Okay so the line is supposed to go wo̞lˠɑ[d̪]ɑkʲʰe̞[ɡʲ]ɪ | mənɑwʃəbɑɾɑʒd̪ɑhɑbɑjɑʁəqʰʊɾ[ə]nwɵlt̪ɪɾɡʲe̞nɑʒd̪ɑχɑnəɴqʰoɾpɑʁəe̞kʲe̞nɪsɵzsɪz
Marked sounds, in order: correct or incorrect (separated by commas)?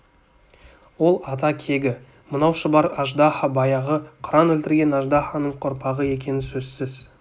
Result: incorrect, correct, incorrect